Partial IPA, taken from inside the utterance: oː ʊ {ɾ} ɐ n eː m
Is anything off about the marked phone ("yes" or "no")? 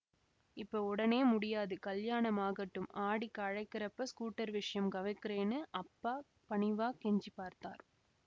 yes